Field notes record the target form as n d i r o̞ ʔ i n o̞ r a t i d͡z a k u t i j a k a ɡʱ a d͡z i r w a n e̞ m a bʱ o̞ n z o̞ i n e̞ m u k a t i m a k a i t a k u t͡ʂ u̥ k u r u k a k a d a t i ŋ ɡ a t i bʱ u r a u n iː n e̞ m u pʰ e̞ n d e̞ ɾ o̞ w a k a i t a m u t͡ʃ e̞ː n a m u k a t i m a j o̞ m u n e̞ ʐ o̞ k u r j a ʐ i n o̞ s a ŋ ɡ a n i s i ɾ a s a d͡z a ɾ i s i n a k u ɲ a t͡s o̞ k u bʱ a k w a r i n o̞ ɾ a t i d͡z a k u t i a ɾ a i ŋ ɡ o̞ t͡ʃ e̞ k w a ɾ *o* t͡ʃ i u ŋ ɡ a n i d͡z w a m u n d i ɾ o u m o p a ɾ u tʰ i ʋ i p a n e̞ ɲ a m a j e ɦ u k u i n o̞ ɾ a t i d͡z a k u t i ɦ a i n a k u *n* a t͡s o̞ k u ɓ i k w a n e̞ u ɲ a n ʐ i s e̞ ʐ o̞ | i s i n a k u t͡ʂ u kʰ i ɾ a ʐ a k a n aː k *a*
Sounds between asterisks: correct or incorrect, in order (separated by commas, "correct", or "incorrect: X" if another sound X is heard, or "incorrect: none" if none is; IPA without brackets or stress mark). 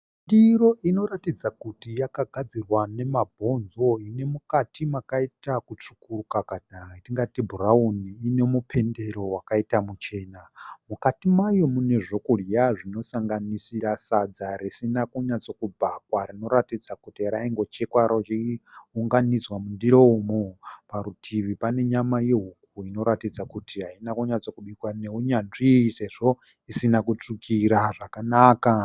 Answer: correct, incorrect: ɲ, correct